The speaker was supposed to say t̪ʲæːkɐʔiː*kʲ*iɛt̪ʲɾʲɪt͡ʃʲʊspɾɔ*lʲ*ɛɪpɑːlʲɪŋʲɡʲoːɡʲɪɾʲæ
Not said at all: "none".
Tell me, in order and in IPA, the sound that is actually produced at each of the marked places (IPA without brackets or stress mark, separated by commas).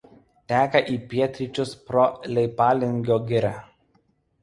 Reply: pʲ, lʲ